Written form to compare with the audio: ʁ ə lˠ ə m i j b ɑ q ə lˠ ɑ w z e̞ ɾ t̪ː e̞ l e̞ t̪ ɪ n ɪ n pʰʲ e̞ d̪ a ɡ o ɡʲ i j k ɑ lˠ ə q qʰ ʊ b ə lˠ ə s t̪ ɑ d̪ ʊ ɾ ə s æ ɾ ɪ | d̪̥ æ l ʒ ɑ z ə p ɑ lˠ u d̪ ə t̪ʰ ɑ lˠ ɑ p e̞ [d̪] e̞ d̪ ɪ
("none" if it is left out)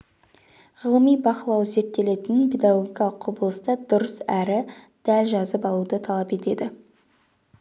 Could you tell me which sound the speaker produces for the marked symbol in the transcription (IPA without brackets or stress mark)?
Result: t̪